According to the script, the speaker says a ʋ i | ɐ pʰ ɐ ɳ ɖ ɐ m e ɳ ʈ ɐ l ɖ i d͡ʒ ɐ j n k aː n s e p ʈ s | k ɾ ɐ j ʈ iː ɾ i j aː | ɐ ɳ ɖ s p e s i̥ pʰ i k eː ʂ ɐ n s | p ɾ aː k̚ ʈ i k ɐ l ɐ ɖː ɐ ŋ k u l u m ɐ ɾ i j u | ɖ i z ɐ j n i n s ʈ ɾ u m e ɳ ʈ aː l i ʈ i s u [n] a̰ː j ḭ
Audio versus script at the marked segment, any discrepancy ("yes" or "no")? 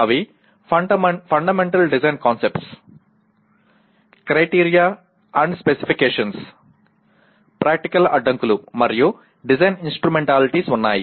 yes